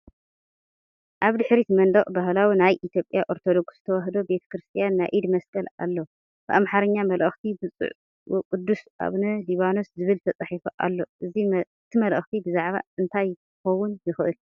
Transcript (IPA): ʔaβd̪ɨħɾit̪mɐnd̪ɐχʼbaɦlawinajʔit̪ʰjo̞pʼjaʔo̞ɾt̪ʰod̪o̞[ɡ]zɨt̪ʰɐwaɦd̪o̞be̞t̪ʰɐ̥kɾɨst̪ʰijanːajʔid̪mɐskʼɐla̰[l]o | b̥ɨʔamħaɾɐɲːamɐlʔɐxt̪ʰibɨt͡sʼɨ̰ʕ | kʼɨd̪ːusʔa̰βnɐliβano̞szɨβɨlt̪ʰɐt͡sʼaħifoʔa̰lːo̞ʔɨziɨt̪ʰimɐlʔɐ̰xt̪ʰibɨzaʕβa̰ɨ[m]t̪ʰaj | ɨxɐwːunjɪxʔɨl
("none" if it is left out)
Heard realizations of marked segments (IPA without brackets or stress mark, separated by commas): ɡ, lː, n